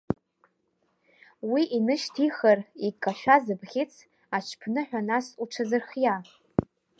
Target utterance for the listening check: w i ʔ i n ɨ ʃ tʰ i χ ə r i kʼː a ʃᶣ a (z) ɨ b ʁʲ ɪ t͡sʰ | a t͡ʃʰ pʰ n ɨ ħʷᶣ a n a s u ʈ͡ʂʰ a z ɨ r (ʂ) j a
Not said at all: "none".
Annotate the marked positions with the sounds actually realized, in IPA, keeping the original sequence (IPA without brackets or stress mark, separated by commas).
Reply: z, χ